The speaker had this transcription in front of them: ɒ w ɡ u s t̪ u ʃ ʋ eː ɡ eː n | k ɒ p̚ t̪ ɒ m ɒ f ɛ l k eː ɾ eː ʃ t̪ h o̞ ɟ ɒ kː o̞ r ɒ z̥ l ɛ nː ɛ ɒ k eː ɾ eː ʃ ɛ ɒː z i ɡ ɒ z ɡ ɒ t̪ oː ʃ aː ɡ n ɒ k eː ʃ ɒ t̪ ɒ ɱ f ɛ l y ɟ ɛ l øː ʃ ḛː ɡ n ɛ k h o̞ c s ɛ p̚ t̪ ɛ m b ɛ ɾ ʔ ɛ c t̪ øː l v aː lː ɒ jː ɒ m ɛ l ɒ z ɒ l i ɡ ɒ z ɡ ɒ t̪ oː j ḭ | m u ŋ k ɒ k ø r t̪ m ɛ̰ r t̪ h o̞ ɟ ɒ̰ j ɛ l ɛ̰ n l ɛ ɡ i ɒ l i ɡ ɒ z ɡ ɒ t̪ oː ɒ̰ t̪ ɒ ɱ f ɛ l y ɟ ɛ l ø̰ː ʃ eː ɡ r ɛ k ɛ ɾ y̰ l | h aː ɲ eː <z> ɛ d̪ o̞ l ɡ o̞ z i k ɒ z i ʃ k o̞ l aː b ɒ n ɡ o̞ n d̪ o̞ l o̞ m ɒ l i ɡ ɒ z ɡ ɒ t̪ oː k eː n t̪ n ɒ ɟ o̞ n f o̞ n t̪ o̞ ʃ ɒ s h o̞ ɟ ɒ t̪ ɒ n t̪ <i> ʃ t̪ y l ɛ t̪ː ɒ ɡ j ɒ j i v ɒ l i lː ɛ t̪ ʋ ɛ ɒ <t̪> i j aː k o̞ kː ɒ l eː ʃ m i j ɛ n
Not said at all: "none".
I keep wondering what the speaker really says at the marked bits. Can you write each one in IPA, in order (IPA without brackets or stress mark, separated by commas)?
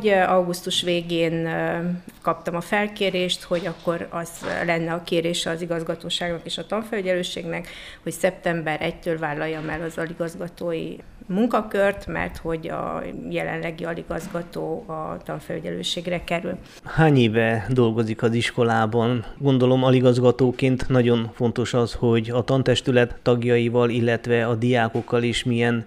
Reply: v, ɛ, d̪